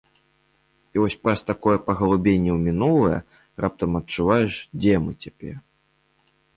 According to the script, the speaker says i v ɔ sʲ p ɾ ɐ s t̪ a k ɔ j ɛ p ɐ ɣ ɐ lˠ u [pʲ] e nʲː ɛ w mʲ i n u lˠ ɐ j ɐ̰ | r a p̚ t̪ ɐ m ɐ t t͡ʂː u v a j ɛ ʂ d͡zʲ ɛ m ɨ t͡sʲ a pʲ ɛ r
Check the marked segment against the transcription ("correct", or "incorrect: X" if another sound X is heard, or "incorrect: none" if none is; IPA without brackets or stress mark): incorrect: bʲ